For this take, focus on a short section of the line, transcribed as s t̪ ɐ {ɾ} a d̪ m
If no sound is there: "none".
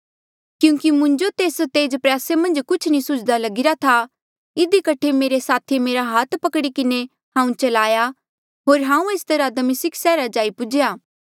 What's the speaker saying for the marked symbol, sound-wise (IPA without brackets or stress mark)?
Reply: ɾ